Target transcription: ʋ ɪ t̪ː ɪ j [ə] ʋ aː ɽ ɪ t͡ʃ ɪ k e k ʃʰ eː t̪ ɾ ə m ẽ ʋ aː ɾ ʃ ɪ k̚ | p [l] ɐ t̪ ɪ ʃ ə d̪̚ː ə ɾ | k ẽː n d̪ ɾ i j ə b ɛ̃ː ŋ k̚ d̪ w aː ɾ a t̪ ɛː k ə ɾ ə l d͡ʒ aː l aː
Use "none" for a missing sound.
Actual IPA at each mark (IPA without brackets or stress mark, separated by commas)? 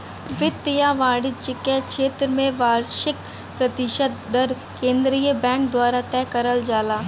a, ɾ